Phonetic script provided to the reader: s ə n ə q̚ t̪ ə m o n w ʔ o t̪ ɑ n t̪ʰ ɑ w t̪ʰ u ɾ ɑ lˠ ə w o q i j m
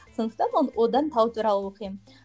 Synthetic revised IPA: s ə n ə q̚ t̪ ɑ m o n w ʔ o d̪ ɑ n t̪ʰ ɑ w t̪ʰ u ɾ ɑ lˠ ə w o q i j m